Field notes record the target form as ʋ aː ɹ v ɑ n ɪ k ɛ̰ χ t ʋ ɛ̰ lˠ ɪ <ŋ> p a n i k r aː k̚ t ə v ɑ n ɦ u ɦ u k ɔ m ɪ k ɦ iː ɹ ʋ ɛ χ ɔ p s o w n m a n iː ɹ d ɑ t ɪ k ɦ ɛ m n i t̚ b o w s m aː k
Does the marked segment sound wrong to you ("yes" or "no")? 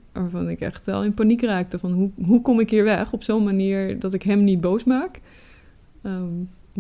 yes